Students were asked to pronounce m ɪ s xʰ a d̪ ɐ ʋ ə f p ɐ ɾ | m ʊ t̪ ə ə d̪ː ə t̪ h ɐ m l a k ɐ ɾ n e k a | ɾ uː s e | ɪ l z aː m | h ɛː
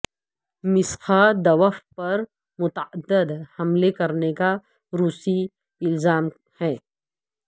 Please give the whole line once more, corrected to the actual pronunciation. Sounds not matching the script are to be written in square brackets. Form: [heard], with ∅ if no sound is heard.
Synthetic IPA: m ɪ s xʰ a d̪ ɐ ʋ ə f p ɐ ɾ | m ʊ t̪ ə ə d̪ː ə [d̪] h ɐ m l [e] k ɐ ɾ n e k a | ɾ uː s [i] | ɪ l z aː m | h ɛː